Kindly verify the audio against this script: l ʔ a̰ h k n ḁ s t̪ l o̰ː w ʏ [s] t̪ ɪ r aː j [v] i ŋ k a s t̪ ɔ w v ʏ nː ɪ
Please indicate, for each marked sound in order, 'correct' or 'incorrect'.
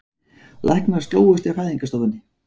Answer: correct, incorrect

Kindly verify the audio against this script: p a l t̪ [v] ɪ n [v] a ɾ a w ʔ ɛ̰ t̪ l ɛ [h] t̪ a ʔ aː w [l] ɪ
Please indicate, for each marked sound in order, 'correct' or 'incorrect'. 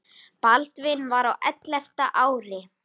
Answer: correct, correct, incorrect, incorrect

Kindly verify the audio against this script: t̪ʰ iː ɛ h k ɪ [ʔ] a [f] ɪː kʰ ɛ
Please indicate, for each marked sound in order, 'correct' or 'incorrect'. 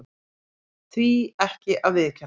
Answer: correct, incorrect

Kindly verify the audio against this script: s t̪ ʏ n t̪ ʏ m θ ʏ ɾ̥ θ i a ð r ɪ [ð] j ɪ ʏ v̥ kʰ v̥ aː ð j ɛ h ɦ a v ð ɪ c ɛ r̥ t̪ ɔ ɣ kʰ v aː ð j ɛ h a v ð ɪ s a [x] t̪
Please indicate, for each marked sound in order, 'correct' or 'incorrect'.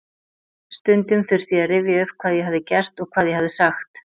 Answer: incorrect, correct

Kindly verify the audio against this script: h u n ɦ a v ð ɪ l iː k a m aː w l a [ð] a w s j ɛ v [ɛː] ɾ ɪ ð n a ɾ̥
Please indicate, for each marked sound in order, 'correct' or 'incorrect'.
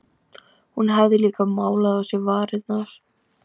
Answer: correct, incorrect

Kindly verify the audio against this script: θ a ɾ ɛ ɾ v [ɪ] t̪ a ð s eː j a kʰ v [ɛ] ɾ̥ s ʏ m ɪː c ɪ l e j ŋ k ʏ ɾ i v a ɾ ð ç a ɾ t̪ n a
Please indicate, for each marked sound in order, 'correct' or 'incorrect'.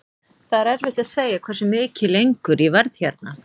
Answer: correct, correct

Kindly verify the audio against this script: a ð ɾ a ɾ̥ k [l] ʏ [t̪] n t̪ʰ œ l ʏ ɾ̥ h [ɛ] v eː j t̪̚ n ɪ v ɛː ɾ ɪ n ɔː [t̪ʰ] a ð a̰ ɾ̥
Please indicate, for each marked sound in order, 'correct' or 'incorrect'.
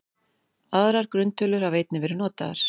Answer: incorrect, incorrect, incorrect, incorrect

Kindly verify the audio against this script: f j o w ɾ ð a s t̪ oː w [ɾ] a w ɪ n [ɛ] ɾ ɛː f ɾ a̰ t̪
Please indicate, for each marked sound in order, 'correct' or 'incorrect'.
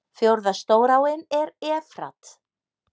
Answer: correct, correct

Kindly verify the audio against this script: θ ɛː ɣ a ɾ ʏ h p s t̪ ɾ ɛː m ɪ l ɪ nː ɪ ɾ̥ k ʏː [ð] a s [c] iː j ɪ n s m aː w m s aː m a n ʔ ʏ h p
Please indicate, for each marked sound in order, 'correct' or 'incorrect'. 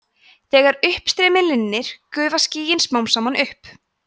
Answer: incorrect, correct

